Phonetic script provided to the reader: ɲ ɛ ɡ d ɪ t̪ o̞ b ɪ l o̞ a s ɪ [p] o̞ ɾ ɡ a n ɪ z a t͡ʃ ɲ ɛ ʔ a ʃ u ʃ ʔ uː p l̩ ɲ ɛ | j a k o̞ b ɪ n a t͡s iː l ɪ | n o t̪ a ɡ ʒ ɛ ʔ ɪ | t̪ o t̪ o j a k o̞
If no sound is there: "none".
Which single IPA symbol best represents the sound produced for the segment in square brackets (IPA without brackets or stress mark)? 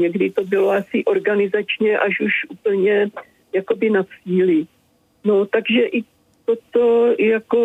ʔ